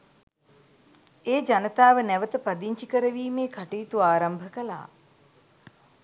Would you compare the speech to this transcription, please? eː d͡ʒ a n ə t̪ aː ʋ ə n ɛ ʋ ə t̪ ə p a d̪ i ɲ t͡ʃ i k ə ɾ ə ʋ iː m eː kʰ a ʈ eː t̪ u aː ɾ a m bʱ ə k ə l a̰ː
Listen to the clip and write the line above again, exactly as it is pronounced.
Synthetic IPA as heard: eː d͡ʒ a n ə t̪ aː ʋ ə n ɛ ʋ ə t̪ ə p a d̪ i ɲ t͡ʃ i k ə ɾ ə ʋ iː m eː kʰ a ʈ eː t̪ u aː ɾ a m bʱ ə k ə l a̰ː